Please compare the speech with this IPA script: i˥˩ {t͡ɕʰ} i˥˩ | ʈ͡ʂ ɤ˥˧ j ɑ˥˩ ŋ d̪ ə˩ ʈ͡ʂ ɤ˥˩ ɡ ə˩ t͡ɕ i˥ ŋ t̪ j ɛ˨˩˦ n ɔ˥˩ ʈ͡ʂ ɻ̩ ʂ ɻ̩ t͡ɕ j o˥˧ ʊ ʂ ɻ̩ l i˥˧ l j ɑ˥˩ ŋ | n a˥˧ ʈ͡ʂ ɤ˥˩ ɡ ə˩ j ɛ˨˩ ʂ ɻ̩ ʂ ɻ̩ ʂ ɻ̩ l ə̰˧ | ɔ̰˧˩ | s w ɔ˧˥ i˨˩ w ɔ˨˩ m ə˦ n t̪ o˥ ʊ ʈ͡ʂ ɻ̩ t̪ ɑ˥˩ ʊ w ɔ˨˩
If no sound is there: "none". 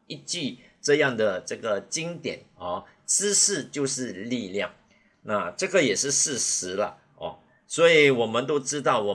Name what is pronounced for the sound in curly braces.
t͡ɕ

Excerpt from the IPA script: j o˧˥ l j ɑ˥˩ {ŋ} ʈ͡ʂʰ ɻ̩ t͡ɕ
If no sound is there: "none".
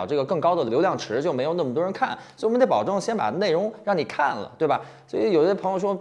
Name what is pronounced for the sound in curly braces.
ŋ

